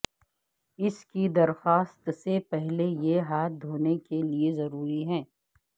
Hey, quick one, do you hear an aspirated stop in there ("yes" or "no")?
no